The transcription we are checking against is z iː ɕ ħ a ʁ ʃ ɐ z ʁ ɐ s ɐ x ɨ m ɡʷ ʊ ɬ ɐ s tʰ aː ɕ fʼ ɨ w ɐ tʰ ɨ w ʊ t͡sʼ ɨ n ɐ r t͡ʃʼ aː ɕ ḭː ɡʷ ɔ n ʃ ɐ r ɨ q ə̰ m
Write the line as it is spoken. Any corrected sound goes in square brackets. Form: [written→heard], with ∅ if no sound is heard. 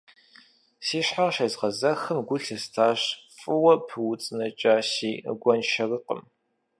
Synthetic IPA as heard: [z→s] iː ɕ ħ a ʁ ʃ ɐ z ʁ ɐ [s→z] ɐ x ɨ m ɡʷ ʊ ɬ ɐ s tʰ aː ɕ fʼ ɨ w ɐ [tʰ→pʰ] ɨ w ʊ t͡sʼ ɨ n ɐ [r→∅] t͡ʃʼ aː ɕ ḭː ɡʷ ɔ n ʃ ɐ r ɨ q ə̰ m